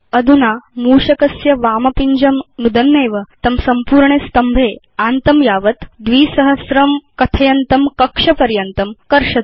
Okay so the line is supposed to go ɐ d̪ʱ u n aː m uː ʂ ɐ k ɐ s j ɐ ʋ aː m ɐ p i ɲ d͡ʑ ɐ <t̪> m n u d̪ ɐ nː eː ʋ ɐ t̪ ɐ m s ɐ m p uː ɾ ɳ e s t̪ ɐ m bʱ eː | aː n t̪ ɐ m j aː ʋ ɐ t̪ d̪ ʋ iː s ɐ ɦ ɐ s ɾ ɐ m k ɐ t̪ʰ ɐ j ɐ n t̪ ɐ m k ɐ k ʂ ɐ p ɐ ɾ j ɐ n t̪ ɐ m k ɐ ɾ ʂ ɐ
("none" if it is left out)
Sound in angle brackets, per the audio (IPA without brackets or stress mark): none